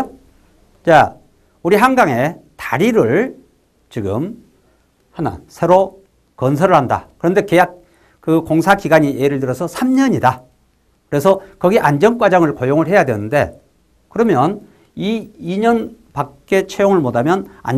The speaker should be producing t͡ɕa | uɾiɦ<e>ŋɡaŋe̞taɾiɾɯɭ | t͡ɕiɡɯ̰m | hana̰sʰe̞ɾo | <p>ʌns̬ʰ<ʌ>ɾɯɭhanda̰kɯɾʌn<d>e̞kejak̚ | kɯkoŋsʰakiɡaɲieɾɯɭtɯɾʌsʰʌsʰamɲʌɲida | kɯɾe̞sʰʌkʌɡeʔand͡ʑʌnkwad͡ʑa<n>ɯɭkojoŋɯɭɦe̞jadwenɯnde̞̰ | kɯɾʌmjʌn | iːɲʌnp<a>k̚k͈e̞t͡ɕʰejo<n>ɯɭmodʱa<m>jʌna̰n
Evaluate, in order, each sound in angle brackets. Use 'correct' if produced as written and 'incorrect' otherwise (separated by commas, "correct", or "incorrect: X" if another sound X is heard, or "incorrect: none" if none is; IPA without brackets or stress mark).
incorrect: a, incorrect: k, correct, correct, incorrect: ŋ, correct, incorrect: ŋ, correct